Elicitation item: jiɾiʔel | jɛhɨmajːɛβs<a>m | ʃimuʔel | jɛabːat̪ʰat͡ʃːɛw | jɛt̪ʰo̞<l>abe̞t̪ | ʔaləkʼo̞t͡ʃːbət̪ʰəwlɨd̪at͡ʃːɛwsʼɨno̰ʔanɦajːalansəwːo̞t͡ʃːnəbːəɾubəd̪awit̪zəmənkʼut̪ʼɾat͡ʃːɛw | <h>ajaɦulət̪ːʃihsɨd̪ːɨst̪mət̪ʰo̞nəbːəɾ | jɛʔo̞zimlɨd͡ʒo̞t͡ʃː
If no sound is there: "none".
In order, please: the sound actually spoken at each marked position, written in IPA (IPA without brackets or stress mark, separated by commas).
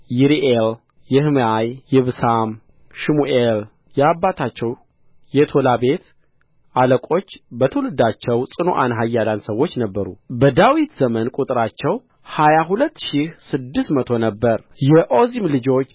a, l, h